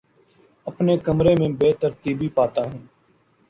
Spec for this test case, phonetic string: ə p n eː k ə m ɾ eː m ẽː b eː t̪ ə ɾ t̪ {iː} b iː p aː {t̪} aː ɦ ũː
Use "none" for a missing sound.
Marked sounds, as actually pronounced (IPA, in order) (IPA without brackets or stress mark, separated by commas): iː, t̪